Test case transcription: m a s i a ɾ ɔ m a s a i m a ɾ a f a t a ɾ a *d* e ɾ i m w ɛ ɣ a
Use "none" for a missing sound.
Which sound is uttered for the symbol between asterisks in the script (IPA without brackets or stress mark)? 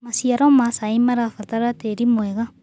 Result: t